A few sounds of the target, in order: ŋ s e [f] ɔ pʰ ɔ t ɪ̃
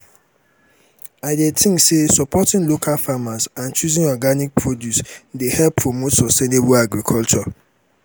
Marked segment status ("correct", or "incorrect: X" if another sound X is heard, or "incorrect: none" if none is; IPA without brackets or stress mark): incorrect: s